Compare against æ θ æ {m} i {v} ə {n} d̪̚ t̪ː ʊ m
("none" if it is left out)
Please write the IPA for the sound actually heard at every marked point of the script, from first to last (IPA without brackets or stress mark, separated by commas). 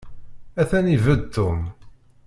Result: n, v, none